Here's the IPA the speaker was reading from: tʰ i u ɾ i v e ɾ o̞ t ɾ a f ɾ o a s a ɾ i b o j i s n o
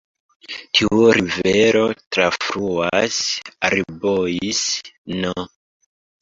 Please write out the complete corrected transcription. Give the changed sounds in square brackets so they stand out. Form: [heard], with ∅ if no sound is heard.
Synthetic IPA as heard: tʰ i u ɾ i v e ɾ o̞ t ɾ a f ɾ [u] a s a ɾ i b o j i s n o